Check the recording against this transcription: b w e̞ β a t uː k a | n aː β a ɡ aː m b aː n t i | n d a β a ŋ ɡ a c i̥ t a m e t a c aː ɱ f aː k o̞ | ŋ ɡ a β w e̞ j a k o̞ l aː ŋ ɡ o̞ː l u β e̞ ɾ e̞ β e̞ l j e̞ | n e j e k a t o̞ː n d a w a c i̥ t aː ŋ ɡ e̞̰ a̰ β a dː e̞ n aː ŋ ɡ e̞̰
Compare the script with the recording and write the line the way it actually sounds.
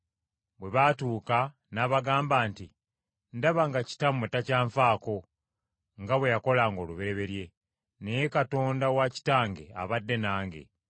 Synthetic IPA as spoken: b w e̞ β a t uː k a | n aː β a ɡ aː m b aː n t i | n d a β a ŋ ɡ a c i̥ t a m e t a c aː ɱ f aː k o̞ | ŋ ɡ a β w e̞ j a k o̞ l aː ŋ ɡ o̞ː l u β e̞ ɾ e̞ β e̞ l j e̞ | n e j e k a t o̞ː n d a w a c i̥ t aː ŋ ɡ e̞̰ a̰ β a dː e̞ n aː ŋ ɡ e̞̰